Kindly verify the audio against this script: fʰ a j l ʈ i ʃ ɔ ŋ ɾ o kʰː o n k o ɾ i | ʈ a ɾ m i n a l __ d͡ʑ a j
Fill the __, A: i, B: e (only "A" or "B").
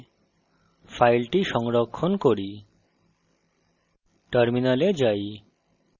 B